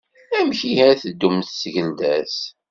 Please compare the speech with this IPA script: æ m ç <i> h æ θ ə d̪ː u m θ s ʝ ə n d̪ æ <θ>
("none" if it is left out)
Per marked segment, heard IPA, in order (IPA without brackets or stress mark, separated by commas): i, s